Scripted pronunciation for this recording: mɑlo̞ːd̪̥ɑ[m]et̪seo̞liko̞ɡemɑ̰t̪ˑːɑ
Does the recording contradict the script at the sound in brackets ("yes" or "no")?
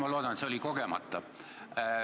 yes